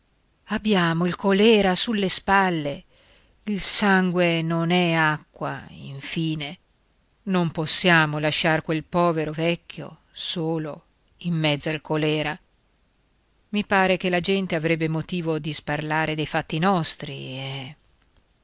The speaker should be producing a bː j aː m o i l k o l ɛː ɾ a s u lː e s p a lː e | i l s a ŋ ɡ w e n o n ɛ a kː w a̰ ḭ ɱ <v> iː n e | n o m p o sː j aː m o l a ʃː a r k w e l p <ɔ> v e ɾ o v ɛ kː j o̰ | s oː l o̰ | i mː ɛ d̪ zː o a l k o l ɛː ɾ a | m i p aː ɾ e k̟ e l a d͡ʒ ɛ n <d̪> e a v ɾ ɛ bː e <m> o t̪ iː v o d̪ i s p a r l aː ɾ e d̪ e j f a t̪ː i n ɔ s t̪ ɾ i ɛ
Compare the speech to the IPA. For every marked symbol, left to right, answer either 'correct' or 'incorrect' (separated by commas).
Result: incorrect, incorrect, incorrect, correct